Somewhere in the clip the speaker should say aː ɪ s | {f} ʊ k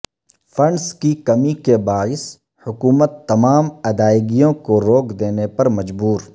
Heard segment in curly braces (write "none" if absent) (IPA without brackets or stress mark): h